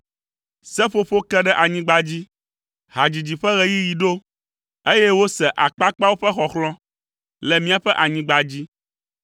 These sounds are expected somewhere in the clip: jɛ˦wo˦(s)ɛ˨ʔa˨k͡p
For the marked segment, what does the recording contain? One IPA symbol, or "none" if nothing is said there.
s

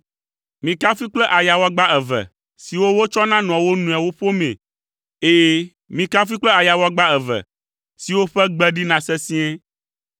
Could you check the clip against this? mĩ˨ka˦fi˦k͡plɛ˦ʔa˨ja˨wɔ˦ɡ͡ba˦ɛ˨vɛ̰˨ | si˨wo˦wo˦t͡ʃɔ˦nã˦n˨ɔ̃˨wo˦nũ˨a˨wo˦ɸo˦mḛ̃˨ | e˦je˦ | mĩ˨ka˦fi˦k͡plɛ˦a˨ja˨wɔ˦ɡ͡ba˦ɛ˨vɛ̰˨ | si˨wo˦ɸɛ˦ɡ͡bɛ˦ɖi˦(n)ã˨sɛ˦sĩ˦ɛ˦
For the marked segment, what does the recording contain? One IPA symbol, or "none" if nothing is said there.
n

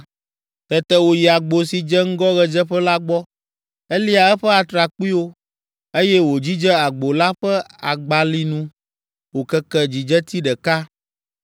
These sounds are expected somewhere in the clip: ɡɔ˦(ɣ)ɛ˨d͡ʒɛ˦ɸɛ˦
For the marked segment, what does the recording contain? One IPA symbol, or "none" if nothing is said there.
ɣ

